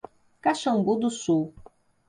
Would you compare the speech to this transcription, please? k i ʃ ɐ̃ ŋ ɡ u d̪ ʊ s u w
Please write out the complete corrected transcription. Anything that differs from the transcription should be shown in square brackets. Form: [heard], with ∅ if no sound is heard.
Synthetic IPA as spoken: k [a] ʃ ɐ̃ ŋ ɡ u d̪ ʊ s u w